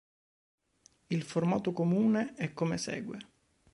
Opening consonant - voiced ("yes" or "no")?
yes